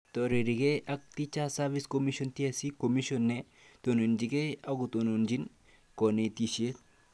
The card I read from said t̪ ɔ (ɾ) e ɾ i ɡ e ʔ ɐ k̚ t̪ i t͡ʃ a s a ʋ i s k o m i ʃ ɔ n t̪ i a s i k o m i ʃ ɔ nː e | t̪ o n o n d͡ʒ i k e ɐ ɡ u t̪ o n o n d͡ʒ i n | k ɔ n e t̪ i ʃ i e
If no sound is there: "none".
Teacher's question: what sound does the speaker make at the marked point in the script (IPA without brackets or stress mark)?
ɾ